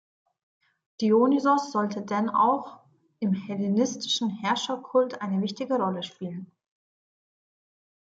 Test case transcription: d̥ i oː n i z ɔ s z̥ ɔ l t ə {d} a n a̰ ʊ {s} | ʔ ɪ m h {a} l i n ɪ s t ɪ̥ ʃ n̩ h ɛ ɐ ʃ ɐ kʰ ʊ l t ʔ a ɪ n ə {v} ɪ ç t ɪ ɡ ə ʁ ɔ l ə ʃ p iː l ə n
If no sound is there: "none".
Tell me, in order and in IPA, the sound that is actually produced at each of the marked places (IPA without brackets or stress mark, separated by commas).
d, x, ɛ, v